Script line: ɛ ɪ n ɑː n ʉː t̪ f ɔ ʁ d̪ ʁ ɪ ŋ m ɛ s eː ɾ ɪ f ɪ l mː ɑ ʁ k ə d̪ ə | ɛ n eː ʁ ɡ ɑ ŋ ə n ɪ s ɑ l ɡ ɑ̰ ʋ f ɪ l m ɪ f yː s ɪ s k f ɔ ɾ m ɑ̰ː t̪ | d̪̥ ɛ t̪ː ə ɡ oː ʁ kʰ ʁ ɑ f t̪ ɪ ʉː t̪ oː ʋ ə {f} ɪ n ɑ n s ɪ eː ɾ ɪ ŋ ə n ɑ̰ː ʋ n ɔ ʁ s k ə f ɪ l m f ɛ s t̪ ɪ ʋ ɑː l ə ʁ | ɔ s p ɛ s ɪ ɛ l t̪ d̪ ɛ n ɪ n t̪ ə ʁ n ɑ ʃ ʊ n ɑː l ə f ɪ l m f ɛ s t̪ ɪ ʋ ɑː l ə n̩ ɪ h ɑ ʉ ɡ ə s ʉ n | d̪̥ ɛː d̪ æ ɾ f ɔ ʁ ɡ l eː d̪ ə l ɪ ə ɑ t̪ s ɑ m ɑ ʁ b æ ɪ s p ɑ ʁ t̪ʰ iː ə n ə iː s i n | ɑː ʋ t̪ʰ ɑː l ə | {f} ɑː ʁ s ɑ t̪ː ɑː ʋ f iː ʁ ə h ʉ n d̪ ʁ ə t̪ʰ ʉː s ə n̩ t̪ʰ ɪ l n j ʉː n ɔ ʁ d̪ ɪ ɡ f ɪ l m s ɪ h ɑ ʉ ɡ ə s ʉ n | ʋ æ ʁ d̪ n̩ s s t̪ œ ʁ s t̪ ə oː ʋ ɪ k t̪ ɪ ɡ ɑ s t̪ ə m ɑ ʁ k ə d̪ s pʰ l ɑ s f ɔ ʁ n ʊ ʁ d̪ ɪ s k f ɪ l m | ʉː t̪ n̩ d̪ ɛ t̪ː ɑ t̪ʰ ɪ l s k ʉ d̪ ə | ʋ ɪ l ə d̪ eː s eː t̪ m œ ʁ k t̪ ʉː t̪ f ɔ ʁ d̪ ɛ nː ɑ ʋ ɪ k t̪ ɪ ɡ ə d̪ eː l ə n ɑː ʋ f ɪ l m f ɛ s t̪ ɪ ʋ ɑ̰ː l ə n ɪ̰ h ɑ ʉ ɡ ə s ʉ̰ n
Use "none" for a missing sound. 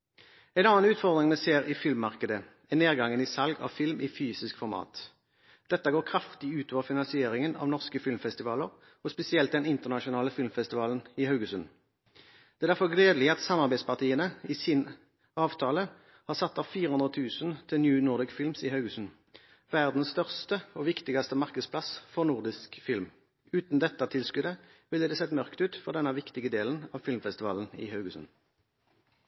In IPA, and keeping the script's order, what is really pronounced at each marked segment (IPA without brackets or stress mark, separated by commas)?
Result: f, h